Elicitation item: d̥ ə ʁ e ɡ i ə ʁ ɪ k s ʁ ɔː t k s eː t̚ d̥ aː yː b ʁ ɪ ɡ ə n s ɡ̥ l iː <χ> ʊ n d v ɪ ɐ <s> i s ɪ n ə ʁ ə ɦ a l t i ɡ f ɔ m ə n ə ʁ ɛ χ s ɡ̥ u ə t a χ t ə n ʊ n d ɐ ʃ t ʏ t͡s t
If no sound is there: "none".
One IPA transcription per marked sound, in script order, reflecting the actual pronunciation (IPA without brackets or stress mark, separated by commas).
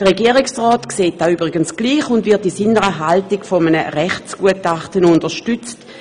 χ, t